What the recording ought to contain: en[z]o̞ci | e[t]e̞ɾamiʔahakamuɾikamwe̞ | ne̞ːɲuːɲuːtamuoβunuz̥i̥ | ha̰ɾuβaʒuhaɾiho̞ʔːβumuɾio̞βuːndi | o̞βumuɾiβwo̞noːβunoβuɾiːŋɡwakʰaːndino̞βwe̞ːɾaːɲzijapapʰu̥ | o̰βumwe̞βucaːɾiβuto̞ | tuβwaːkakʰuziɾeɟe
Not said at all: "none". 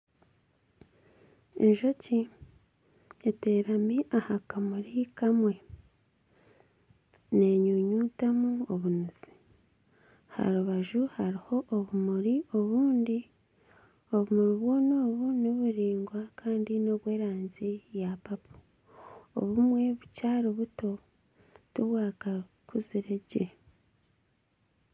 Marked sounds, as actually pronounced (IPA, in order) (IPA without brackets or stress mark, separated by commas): ʒ, t